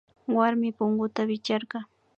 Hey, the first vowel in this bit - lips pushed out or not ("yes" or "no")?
no